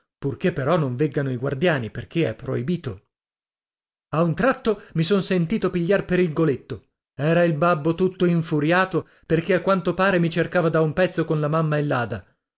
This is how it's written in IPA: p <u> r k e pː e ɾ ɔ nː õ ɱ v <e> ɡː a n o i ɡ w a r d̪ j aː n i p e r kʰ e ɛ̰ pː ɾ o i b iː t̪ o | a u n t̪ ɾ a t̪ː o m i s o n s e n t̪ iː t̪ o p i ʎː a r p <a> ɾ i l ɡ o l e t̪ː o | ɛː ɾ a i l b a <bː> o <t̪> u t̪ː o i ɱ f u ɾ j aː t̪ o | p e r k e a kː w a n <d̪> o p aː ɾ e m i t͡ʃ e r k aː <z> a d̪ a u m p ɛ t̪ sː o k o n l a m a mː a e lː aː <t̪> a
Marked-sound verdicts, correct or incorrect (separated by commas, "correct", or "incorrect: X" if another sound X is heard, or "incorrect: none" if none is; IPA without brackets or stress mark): correct, correct, incorrect: e, correct, correct, incorrect: t̪, incorrect: v, incorrect: d̪